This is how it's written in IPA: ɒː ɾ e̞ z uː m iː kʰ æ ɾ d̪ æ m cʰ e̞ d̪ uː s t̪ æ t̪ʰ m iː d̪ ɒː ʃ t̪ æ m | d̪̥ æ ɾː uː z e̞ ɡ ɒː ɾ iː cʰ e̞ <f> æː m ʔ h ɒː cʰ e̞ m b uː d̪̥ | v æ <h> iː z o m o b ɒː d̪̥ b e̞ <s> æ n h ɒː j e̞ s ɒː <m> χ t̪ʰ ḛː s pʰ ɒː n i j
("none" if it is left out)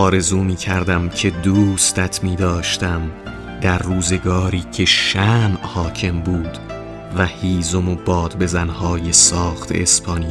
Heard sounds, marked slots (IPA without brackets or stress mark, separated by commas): ʃ, h, z, none